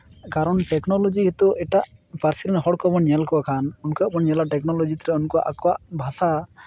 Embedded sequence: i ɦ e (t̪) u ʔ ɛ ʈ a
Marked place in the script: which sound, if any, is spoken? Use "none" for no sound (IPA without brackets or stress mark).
t̪